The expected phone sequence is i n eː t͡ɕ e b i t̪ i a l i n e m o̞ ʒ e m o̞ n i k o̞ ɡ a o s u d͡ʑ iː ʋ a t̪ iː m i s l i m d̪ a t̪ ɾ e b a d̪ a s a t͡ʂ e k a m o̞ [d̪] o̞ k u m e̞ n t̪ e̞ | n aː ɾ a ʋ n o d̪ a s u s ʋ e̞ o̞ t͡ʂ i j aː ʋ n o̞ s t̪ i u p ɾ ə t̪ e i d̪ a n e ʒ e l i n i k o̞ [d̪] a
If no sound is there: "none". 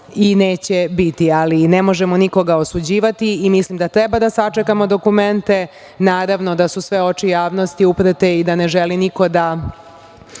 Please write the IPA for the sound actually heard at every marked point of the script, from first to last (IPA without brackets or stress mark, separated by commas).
d̪, d̪